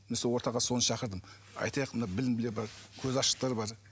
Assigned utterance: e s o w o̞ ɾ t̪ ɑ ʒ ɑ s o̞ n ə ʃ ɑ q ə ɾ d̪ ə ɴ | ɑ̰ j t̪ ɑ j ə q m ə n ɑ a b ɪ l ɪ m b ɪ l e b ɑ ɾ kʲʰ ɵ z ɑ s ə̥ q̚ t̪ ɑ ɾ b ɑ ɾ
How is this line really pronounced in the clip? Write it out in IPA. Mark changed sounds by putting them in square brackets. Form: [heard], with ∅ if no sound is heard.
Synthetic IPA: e s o w o̞ ɾ t̪ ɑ [ʁ] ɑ s o̞ n ə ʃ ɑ q ə ɾ d̪ ə [m] | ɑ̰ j t̪ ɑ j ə q m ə n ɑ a b ɪ l ɪ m b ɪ l e b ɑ ɾ kʲʰ ɵ z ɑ [ʃ] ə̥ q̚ t̪ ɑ ɾ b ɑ ɾ